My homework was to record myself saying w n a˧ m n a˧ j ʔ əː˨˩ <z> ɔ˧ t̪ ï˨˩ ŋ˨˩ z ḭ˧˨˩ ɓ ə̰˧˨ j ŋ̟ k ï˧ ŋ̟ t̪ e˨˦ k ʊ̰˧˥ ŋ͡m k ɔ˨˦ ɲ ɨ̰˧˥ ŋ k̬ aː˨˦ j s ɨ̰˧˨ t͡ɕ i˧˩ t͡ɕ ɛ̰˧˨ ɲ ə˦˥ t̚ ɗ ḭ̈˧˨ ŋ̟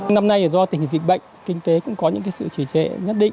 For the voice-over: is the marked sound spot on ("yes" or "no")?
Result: yes